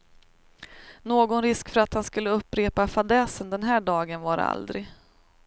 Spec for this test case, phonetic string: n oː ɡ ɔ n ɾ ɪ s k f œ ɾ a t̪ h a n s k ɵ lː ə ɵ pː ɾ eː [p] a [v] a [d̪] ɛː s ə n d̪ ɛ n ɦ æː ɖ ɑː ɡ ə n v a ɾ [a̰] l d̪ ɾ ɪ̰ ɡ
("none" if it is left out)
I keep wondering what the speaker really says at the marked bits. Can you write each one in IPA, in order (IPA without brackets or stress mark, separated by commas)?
p, f, d̪, a̰